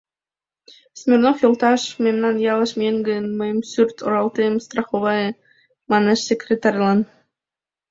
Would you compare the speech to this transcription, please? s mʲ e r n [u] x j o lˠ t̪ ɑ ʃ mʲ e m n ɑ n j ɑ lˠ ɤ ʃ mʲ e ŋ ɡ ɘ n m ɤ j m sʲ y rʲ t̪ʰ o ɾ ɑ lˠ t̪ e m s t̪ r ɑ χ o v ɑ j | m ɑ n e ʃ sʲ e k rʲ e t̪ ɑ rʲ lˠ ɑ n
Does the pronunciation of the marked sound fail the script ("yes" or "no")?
yes